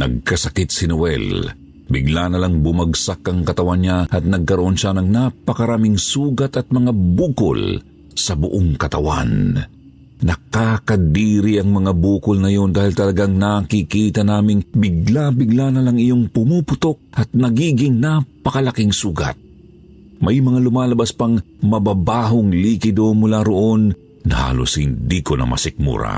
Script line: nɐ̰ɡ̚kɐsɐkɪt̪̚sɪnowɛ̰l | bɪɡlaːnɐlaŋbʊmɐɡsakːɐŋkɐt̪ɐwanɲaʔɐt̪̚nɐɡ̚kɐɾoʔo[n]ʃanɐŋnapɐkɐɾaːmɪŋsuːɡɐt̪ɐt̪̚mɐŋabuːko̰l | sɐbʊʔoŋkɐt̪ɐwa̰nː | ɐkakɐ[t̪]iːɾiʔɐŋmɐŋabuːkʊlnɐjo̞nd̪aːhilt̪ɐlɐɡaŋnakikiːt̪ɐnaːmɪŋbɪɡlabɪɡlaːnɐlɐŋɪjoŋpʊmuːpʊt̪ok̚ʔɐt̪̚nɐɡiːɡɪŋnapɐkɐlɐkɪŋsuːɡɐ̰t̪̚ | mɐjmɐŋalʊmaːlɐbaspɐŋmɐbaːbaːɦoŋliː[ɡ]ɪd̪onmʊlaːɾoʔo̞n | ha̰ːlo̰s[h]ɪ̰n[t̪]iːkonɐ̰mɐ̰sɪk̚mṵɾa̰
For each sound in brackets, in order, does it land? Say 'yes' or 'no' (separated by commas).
yes, no, no, yes, no